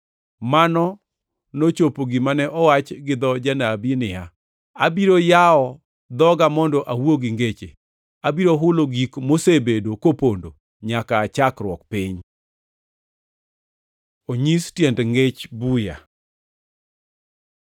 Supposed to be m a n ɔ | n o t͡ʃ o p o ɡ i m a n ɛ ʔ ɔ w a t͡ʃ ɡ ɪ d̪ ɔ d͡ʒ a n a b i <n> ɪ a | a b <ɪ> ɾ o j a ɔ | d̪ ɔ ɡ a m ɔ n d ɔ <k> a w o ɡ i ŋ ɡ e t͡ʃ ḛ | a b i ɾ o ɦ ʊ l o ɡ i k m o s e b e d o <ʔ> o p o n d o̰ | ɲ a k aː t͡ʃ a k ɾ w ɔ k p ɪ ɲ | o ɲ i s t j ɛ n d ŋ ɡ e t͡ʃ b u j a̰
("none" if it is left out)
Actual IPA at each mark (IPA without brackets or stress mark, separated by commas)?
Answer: n, i, ʔ, k